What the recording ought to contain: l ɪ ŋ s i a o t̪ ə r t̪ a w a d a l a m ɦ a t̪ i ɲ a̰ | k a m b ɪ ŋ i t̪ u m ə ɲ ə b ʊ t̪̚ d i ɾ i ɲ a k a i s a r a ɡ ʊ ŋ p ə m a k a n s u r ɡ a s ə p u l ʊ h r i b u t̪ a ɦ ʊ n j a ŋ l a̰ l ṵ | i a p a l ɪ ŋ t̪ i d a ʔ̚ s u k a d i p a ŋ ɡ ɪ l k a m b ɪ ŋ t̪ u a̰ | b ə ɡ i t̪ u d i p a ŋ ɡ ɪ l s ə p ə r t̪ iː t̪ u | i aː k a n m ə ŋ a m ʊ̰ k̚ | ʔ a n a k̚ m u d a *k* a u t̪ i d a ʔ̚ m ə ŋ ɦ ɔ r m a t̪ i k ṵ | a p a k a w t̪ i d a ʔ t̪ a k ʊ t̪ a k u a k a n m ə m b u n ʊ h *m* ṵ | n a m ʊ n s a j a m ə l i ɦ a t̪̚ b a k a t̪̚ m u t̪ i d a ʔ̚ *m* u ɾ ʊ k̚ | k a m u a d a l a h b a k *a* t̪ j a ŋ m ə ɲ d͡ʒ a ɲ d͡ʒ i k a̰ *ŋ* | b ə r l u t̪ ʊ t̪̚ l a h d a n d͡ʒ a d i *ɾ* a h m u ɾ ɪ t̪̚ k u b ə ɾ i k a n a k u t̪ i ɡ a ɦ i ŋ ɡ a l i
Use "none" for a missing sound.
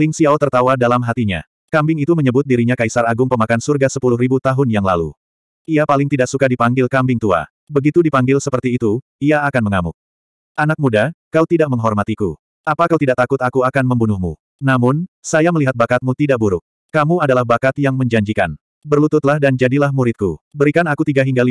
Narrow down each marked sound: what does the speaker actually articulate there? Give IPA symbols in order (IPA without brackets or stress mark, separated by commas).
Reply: k, m, b, a, n, l